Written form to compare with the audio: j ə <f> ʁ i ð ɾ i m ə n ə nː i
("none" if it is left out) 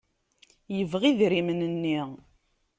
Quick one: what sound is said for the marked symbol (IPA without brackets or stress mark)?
v